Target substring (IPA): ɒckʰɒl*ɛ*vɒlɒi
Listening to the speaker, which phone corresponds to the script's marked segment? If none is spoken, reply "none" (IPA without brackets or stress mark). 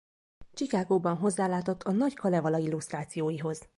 ɛ